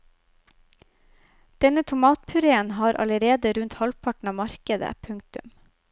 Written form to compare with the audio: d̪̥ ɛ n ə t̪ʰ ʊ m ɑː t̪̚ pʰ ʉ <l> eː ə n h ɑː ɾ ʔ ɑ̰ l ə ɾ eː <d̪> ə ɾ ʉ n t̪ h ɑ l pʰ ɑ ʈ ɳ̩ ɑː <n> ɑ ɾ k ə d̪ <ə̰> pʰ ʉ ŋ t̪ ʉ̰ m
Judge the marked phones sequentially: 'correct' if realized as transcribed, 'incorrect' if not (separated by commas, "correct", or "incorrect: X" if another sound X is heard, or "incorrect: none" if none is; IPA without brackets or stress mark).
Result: incorrect: ɾ, correct, incorrect: m, correct